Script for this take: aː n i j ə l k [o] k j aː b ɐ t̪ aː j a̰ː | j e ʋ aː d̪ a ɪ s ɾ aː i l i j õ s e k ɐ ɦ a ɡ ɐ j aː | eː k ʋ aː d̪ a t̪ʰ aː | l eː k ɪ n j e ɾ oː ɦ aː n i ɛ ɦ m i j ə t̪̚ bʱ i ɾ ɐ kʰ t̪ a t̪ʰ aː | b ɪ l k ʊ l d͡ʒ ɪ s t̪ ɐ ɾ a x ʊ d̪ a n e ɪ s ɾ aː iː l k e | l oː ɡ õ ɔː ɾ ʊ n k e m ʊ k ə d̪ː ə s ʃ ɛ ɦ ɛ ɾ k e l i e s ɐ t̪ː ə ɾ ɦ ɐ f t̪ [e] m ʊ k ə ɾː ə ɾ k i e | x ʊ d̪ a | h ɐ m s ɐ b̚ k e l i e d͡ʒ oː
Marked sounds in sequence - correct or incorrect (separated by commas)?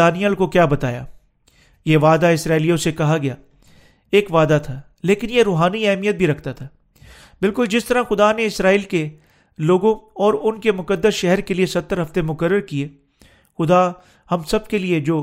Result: correct, correct